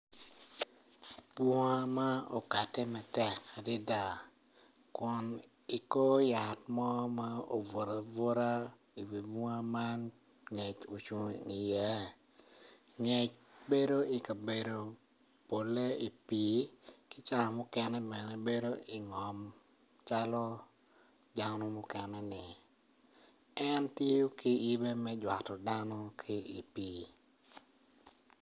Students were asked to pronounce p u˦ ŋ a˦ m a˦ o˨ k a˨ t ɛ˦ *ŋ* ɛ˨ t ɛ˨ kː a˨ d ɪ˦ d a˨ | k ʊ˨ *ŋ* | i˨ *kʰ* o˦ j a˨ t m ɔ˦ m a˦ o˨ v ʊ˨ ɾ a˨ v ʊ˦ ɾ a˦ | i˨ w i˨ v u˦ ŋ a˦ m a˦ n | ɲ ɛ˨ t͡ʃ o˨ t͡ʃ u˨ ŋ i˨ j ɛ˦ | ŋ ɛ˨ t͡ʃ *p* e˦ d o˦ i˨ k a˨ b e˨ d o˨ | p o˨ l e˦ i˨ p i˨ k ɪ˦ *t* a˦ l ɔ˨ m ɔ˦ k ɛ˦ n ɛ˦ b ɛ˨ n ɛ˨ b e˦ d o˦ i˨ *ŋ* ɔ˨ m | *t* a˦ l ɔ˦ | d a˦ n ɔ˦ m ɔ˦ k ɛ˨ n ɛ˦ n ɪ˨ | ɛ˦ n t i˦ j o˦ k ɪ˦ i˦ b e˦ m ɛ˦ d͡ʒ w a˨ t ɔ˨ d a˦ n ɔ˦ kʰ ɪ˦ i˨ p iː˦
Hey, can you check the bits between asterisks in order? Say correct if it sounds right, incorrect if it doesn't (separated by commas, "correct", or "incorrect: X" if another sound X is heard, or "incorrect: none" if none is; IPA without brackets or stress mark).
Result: incorrect: m, incorrect: n, incorrect: k, incorrect: b, incorrect: t͡ʃ, correct, incorrect: t͡ʃ